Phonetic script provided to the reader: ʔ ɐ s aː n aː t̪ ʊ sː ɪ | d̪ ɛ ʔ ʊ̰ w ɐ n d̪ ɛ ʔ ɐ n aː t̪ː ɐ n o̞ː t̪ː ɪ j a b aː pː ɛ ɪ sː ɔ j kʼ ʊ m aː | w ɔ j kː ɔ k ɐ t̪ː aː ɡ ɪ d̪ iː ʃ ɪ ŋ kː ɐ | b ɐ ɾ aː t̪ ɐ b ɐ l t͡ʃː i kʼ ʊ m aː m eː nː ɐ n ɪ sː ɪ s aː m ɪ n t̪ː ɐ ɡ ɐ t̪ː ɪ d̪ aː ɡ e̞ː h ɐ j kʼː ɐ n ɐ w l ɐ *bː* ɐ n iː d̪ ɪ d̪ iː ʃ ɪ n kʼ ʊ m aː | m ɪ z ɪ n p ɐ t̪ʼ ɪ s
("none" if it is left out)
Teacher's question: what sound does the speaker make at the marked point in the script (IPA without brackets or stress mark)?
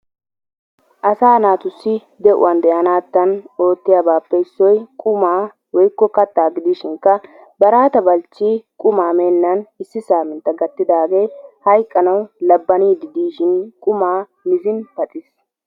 bː